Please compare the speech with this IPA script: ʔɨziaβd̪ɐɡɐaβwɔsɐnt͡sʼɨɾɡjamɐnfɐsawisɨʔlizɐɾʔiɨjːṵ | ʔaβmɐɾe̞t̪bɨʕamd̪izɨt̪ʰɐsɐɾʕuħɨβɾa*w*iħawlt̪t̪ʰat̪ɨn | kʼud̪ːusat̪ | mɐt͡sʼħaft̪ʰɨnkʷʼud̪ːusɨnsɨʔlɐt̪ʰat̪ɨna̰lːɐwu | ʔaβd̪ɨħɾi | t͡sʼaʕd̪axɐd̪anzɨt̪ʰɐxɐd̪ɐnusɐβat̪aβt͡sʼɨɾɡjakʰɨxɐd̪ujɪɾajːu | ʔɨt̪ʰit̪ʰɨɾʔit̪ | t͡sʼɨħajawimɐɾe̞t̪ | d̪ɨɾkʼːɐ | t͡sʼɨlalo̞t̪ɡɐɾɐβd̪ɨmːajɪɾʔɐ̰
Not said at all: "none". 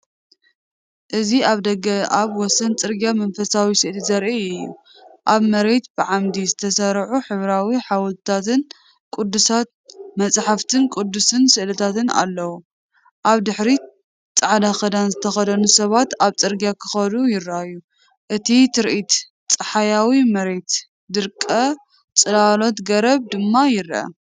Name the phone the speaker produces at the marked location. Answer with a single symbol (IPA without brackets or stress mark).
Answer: w